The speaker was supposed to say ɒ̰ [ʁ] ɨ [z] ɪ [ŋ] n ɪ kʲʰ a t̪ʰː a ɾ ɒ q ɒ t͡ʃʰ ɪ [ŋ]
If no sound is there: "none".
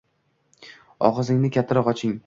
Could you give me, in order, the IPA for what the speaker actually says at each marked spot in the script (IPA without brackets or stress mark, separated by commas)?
ʁ, z, ŋ, ŋ